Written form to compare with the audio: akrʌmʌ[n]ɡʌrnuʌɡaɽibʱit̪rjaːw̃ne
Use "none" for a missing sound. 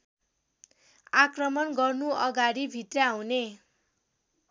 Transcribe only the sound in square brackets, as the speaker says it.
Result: n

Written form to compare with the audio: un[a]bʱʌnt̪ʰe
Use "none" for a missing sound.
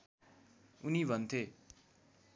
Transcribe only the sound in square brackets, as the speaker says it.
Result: i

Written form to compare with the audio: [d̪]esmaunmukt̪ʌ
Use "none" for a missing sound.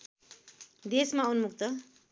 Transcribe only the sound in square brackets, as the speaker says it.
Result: d̪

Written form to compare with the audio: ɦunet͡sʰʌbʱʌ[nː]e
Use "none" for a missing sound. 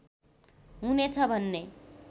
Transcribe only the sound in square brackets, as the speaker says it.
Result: nː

